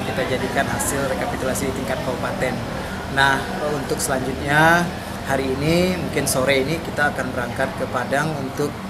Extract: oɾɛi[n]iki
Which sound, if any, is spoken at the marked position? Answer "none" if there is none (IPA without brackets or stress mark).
n